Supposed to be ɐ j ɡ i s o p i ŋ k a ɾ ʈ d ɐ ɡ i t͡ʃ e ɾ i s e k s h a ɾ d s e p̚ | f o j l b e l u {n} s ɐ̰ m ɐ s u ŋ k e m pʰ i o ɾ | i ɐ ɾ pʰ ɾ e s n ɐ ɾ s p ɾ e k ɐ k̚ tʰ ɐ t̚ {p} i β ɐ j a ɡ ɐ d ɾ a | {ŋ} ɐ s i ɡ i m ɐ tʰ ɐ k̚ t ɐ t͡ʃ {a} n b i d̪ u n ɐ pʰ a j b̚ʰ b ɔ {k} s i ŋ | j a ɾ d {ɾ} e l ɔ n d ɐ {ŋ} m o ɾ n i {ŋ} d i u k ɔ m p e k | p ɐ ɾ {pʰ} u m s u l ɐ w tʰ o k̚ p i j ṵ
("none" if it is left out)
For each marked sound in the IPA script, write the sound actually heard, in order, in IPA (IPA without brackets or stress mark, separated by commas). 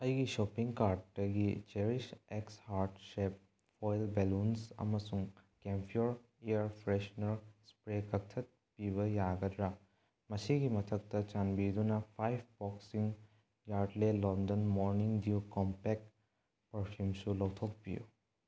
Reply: n, p, m, a, k, l, n, ŋ, pʰ